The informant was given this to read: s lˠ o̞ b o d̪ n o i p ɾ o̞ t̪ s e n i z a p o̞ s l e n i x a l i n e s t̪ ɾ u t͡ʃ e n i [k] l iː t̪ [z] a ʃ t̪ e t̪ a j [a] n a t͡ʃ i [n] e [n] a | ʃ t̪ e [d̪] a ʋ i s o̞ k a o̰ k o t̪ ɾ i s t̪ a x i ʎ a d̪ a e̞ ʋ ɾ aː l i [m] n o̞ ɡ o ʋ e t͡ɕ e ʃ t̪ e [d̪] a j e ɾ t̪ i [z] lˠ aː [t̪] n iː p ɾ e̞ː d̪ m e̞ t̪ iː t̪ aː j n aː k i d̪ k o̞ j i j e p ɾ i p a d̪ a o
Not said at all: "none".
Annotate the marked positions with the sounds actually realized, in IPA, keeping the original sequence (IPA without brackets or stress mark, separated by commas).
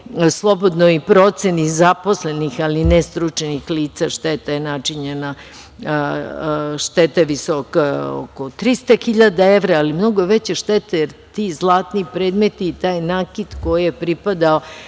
x, s, e, ɲ, n, t̪, m, t̪, z, t̪